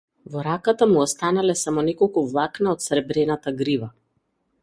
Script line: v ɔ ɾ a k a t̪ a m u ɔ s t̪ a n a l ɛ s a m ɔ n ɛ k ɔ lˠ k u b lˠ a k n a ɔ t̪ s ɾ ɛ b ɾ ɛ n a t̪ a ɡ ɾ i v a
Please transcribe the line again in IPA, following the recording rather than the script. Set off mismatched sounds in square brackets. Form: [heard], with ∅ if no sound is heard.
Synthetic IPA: v ɔ ɾ a k a t̪ a m u ɔ s t̪ a n a l ɛ s a m ɔ n ɛ k ɔ lˠ k u [v] lˠ a k n a ɔ t̪ s ɾ ɛ b ɾ ɛ n a t̪ a ɡ ɾ i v a